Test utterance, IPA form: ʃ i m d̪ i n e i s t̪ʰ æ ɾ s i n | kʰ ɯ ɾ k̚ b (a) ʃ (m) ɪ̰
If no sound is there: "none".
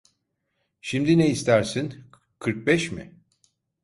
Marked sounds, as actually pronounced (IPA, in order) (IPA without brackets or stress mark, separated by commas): ɛ, m